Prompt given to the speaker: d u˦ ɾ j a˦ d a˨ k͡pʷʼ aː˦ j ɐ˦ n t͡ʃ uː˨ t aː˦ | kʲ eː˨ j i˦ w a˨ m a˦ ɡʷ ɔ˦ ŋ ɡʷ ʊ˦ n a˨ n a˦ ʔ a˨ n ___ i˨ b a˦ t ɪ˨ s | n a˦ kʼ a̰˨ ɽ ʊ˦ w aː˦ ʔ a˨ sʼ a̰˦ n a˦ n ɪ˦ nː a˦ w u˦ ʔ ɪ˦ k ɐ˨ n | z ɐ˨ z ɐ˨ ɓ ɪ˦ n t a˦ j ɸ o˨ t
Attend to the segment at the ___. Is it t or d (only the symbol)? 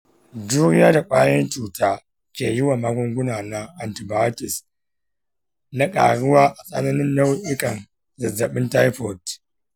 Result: t